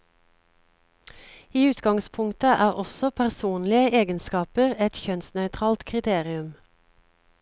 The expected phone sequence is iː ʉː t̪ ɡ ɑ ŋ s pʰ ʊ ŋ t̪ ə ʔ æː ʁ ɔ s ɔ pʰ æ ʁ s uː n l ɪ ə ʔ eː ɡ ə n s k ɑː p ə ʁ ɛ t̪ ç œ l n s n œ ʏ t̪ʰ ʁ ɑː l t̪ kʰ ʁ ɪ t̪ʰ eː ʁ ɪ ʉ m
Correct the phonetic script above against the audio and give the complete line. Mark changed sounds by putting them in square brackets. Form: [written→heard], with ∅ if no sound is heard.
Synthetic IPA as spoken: iː ʉː t̪ ɡ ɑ ŋ s pʰ ʊ ŋ t̪ ə ʔ æː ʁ ɔ s ɔ pʰ æ ʁ s uː n l ɪ ə ʔ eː ɡ ə n s k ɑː p ə ʁ ɛ t̪ ç œ [l→∅] n s n œ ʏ t̪ʰ ʁ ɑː l t̪ kʰ ʁ ɪ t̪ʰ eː ʁ ɪ ʉ m

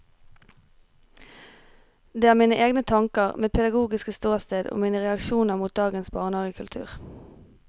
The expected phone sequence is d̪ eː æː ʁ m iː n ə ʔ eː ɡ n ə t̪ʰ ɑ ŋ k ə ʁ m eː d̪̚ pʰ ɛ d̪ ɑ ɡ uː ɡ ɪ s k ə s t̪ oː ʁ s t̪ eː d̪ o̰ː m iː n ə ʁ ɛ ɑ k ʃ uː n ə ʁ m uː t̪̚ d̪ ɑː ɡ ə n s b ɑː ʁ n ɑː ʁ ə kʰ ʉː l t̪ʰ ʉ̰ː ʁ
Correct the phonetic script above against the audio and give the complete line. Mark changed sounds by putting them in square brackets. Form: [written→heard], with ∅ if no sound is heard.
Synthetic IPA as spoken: d̪ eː æː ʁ m iː n ə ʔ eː ɡ n ə t̪ʰ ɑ ŋ k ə ʁ m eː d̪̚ pʰ ɛ d̪ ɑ ɡ uː ɡ ɪ s k ə s t̪ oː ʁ s t̪ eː d̪ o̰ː m iː n ə ʁ ɛ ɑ k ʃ uː n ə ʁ m uː t̪̚ d̪ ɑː ɡ ə n s b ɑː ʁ n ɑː ʁ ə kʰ [ʉː→ʉ] l t̪ʰ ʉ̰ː ʁ

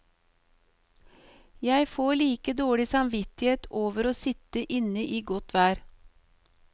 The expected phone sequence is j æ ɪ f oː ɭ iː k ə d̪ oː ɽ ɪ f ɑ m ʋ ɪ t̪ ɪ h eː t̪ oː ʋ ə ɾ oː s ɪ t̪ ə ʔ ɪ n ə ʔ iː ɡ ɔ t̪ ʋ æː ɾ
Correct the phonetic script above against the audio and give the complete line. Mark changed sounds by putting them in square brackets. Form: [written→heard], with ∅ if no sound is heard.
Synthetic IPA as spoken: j æ ɪ f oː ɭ iː k ə d̪ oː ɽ ɪ [f→s] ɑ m ʋ ɪ t̪ ɪ h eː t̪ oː ʋ ə ɾ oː s ɪ t̪ ə ʔ ɪ n ə ʔ iː ɡ ɔ t̪ ʋ æː ɾ

